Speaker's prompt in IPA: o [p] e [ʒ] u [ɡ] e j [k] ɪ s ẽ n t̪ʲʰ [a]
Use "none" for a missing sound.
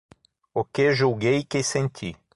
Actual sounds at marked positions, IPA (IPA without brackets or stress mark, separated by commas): k, ʒ, ɡ, k, i